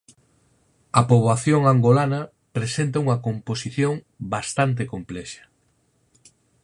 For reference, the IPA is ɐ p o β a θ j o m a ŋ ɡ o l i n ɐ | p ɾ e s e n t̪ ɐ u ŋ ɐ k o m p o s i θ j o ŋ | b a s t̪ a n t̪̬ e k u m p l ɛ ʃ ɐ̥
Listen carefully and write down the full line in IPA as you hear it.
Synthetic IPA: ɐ p o β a θ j o ŋ a ŋ ɡ o l a n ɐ | p ɾ e s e n t̪ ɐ u ŋ ɐ k o m p o s i θ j o ŋ | b a s t̪ a n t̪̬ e k o m p l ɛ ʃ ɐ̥

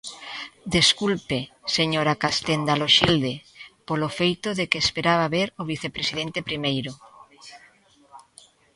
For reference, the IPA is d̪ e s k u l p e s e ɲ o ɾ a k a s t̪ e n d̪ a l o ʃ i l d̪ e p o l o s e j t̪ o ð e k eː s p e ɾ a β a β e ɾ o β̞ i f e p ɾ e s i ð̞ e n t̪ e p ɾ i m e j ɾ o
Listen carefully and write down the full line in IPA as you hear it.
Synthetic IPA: d̪ e s k u l p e s e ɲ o ɾ a k a s t̪ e n d̪ a l o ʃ i l d̪ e p o l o f e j t̪ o ð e k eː s p e ɾ a β a β e ɾ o β̞ i θ e p ɾ e s i ð̞ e n t̪ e p ɾ i m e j ɾ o

